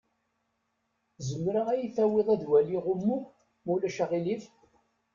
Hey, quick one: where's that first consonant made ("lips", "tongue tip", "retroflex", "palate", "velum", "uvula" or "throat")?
tongue tip